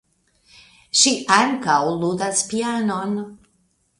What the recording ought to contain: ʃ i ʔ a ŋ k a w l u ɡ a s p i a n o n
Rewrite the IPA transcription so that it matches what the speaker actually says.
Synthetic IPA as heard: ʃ i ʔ a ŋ k a w l u d a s p i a n o n